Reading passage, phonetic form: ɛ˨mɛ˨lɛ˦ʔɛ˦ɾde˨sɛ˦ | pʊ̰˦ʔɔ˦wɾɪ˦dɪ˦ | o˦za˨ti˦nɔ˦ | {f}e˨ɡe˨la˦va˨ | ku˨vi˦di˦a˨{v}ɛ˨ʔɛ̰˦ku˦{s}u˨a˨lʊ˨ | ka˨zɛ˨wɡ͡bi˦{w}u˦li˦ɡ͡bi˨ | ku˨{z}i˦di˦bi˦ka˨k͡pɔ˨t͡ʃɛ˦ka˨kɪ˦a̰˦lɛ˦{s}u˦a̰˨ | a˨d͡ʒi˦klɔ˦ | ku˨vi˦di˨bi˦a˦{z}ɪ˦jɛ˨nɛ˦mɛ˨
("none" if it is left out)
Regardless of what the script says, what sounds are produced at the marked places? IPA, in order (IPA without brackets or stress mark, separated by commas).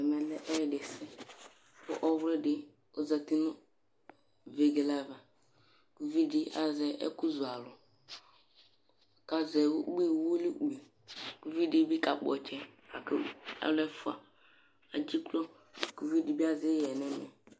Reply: v, z, z, w, v, f, z